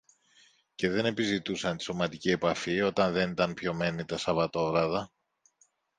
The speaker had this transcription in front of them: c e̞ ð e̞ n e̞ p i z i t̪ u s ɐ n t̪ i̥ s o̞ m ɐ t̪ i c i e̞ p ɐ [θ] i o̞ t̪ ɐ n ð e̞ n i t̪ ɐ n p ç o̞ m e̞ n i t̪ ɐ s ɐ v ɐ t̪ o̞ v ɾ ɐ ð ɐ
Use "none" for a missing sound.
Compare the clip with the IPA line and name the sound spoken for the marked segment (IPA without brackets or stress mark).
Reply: f